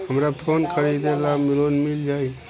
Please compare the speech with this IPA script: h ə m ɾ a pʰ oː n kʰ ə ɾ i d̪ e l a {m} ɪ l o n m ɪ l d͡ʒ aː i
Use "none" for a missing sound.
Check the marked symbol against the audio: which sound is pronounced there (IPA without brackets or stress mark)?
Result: m